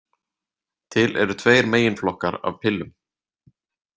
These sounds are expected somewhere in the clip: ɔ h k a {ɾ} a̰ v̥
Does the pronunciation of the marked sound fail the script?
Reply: no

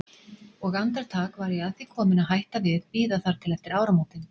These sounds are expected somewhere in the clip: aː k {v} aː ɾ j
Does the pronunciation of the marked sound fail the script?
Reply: no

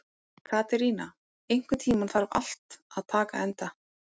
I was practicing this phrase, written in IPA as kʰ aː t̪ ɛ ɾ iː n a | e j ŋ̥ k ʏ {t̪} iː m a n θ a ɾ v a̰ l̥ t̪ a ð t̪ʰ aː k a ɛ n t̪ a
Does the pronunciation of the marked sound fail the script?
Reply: yes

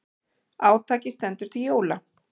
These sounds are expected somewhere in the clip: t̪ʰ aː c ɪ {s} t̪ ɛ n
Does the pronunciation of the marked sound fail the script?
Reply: no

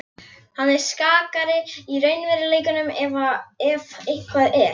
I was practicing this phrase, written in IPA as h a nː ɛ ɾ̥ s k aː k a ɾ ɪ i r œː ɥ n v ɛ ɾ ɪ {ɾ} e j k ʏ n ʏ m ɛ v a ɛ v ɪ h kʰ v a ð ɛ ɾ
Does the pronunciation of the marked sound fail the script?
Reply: yes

